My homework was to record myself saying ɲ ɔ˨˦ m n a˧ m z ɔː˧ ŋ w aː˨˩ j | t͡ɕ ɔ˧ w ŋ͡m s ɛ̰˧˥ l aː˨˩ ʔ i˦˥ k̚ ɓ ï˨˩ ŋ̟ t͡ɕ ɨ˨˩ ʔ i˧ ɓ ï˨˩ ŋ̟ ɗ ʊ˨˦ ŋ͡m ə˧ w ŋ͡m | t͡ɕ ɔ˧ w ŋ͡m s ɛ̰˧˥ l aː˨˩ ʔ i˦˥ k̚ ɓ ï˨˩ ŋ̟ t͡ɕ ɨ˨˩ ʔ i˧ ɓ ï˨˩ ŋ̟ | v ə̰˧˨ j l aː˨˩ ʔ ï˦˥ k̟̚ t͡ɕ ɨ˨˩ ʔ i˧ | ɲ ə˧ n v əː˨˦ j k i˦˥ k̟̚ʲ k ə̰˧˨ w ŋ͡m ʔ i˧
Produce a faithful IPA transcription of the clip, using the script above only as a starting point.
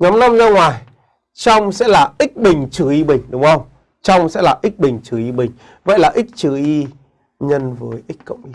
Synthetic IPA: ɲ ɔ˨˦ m n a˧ m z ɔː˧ ŋ w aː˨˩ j | t͡ɕ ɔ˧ w ŋ͡m s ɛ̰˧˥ l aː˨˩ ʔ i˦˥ k̚ ɓ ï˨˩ ŋ̟ t͡ɕ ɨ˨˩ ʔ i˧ ɓ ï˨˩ ŋ̟ ɗ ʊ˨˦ ŋ͡m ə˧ w ŋ͡m | t͡ɕ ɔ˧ w ŋ͡m s ɛ̰˧˥ l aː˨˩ ʔ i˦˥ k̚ ɓ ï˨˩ ŋ̟ t͡ɕ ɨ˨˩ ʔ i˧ ɓ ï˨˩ ŋ̟ | v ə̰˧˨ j l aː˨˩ ʔ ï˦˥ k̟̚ t͡ɕ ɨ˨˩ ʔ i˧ | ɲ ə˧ n v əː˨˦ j ʔ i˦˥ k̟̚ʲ k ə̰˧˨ w ŋ͡m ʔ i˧